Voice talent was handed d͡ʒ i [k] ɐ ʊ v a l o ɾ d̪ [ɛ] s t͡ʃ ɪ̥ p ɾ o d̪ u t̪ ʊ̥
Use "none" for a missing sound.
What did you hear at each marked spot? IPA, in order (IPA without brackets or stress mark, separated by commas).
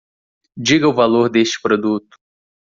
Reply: ɡ, e